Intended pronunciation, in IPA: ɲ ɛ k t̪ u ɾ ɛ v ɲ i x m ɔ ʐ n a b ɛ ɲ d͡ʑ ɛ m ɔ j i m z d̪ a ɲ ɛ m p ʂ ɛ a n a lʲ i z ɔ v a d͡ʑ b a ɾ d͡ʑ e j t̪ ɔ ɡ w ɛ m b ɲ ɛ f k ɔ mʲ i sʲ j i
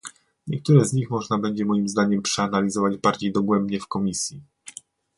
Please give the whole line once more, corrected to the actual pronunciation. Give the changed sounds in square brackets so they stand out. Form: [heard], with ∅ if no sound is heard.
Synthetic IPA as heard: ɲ ɛ k t̪ u ɾ ɛ [z] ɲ i x m ɔ ʐ n a b ɛ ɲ d͡ʑ ɛ m ɔ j i m z d̪ a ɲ ɛ m p ʂ ɛ a n a lʲ i z ɔ v a d͡ʑ b a ɾ d͡ʑ e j [d̪] ɔ ɡ w ɛ m b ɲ ɛ f k ɔ mʲ i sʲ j i